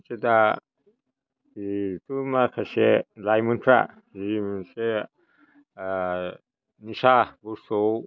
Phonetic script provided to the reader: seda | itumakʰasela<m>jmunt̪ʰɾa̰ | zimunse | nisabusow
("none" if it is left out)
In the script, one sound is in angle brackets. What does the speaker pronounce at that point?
none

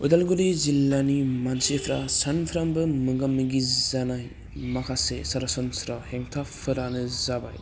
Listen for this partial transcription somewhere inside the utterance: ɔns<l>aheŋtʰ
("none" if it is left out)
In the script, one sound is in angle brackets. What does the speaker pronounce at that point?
ɾ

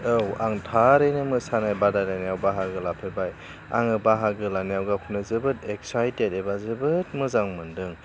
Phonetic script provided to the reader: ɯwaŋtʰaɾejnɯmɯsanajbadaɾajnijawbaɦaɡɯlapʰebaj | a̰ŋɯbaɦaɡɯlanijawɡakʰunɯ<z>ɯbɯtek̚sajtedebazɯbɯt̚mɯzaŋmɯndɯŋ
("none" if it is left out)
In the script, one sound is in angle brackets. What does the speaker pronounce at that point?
z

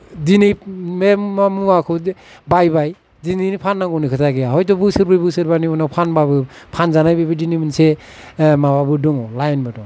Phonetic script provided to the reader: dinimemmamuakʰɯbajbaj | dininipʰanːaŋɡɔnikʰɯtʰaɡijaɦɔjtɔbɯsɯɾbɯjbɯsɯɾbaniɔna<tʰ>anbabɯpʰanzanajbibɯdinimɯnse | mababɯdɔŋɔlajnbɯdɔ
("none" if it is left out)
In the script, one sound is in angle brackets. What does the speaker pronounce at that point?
pʰ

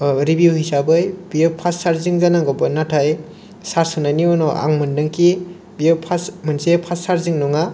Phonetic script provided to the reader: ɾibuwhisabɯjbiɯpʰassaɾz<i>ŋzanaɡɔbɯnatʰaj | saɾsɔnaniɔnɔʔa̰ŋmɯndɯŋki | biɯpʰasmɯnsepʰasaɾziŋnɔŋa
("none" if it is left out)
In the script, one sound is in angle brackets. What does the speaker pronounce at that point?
i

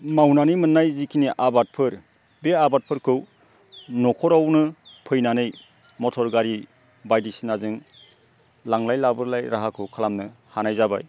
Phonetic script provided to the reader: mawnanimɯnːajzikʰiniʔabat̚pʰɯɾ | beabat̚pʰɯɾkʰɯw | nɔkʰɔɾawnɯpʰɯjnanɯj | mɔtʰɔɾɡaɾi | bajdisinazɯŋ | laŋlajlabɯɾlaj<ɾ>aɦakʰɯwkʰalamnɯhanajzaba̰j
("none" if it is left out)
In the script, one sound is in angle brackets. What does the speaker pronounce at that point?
ɾ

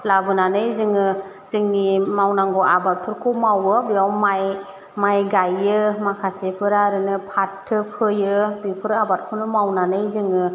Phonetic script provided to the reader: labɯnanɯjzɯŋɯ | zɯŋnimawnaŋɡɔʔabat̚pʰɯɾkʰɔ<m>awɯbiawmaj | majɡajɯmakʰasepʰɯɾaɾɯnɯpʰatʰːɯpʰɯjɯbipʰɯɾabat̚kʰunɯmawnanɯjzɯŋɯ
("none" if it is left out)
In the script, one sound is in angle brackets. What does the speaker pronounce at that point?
m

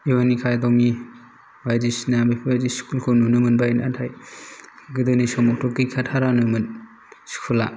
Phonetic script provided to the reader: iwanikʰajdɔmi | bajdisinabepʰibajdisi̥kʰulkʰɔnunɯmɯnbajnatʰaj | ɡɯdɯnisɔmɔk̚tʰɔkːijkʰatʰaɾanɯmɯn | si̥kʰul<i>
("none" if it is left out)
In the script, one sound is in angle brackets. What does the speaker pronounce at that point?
a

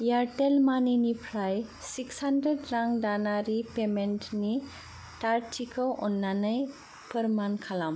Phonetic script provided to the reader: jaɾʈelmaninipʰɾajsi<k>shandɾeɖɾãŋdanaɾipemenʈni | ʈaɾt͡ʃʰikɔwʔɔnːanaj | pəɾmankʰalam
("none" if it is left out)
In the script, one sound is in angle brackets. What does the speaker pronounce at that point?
k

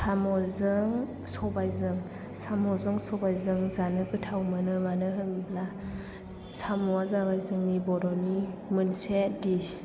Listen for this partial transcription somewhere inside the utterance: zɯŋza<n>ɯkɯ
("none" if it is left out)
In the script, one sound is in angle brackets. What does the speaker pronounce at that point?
n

